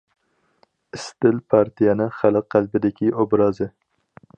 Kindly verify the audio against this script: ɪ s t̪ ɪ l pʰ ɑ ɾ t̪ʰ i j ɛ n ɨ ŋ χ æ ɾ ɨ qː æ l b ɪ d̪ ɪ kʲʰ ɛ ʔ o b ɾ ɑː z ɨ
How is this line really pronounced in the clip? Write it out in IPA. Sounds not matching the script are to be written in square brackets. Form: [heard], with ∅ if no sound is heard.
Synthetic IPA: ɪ s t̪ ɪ l pʰ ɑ ɾ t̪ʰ i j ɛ n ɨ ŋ χ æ [l] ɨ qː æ l b ɪ d̪ ɪ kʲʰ [i] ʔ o b ɾ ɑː z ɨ

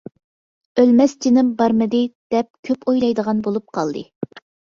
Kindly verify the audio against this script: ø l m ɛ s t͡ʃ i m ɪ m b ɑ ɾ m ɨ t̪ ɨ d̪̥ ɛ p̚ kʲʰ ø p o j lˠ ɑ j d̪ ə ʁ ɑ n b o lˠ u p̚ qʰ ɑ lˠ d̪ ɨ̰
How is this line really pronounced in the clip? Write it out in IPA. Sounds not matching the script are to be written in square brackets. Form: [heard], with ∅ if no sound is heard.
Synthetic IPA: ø l m ɛ s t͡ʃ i [n] ɪ m b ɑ ɾ m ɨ [d̪] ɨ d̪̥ ɛ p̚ kʲʰ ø p o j lˠ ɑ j d̪ ə ʁ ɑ n b o lˠ u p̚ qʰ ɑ lˠ d̪ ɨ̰

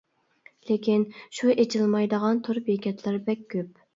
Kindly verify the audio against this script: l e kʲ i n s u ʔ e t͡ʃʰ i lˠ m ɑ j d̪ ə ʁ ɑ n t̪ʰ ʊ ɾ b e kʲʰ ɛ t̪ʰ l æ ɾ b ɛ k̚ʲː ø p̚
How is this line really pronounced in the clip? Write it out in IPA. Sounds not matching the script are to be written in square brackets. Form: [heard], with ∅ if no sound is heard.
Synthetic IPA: l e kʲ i n [ʃ] u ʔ e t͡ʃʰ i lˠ m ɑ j d̪ ə ʁ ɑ n t̪ʰ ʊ ɾ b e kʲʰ ɛ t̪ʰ l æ ɾ b ɛ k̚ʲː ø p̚

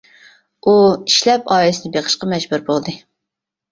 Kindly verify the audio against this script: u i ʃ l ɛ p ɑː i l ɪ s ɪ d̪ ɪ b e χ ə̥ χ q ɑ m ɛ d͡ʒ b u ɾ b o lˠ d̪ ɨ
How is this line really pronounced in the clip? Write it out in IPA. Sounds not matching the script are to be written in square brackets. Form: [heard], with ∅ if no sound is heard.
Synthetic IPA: u i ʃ l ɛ p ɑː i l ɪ s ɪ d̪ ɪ b e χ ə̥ [ʃ] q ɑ m ɛ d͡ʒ b u ɾ b o lˠ d̪ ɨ

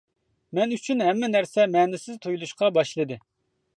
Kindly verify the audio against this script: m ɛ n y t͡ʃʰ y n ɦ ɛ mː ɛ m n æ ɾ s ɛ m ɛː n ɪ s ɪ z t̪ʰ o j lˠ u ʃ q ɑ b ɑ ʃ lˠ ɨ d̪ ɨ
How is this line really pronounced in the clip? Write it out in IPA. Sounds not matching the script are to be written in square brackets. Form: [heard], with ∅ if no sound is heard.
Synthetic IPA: m ɛ n y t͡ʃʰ y n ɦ ɛ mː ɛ [∅] n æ ɾ s ɛ m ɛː n ɪ s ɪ z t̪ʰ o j lˠ u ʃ q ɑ b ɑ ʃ lˠ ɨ d̪ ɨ

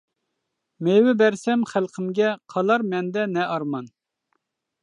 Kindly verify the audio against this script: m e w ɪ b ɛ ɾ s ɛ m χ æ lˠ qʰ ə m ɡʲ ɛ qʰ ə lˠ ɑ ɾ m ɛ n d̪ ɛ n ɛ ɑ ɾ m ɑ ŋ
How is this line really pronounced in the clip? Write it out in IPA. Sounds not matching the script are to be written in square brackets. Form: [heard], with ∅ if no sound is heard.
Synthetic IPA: m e w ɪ b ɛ ɾ s ɛ m χ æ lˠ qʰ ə m ɡʲ ɛ qʰ [ɑ] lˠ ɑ ɾ m ɛ n d̪ ɛ n ɛ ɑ ɾ m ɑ [n]

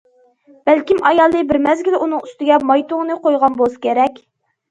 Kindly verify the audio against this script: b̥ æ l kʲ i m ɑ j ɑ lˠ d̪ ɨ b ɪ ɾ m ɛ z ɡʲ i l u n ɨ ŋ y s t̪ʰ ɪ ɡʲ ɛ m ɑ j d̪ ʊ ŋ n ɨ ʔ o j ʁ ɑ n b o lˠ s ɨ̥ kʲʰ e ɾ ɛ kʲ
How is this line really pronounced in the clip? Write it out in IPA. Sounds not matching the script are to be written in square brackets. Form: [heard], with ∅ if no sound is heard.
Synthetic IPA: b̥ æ l kʲ i m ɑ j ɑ lˠ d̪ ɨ b ɪ ɾ m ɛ z ɡʲ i l u n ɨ ŋ y s [t̪] ɪ ɡʲ ɛ m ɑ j [t̪] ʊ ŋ n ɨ [q] o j ʁ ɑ n b o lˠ s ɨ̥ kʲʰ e ɾ ɛ kʲ

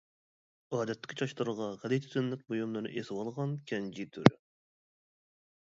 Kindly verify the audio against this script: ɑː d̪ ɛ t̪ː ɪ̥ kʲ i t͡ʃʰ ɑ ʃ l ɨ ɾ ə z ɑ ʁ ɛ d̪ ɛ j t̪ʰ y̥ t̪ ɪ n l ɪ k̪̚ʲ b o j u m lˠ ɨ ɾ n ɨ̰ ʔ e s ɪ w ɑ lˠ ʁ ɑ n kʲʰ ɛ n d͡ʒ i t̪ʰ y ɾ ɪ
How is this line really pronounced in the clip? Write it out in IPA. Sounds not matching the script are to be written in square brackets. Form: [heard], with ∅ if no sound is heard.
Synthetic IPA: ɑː d̪ ɛ t̪ː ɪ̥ kʲ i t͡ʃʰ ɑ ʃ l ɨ ɾ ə [ʁ] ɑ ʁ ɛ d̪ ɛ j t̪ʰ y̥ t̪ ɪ n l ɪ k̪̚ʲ b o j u m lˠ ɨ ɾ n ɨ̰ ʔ e s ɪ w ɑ lˠ ʁ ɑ n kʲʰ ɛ n d͡ʒ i t̪ʰ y ɾ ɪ

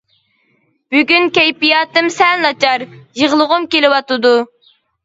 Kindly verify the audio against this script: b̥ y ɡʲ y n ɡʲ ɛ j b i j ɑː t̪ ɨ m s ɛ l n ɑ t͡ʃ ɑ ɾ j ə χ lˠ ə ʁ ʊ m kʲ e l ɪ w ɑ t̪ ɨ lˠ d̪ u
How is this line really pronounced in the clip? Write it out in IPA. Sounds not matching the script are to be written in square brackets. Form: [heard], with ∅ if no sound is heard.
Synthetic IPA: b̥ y ɡʲ y n [kʲ] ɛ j [p] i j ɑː t̪ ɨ m s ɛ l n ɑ t͡ʃ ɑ ɾ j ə [ʁ] lˠ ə ʁ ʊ m kʲ e l ɪ w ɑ t̪ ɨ [∅] d̪ u

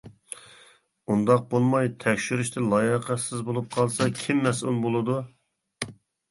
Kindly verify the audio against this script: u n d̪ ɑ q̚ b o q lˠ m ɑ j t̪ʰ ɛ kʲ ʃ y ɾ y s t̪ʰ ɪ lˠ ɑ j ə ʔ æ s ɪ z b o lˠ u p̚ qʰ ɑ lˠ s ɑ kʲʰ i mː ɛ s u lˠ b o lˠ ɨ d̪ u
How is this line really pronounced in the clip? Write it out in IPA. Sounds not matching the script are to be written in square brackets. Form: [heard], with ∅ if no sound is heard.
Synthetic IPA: u n d̪ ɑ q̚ b o [∅] lˠ m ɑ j t̪ʰ ɛ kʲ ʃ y ɾ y [ʃ] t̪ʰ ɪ lˠ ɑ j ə [q] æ s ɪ z b o lˠ u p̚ qʰ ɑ lˠ s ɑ kʲʰ i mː ɛ s u lˠ b o lˠ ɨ d̪ u

